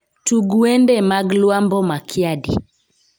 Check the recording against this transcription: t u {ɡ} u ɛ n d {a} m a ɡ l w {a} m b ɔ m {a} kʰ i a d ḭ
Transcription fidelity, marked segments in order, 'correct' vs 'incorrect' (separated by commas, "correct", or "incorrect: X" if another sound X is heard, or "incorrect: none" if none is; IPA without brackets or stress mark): correct, incorrect: ɛ, correct, correct